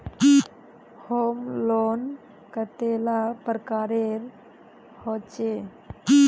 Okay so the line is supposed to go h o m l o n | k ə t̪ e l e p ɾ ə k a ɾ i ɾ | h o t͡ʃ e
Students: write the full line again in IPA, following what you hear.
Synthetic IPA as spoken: h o m l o n | k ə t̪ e l a p ɾ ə k a ɾ e ɾ | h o t͡ʃ e